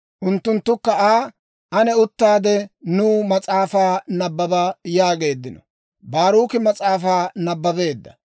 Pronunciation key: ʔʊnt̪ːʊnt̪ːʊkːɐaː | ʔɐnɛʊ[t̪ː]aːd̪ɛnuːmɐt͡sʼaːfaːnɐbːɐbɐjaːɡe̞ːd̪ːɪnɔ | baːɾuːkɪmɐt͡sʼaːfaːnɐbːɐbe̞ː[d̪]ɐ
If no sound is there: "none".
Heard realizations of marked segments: t̪ː, d̪ː

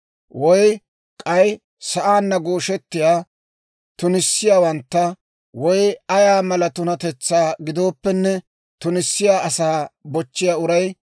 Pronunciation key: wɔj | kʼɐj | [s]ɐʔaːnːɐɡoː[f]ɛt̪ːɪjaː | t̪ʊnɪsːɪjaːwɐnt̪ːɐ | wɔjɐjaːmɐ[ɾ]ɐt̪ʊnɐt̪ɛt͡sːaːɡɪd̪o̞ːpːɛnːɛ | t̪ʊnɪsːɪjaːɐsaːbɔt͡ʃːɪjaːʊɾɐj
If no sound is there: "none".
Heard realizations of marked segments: s, ʃ, l

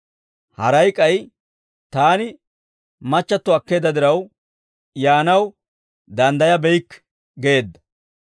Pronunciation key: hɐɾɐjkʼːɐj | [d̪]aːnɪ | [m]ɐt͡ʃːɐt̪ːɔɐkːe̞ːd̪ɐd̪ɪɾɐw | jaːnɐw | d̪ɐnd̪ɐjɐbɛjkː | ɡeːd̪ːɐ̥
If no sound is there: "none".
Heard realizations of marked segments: t̪, m

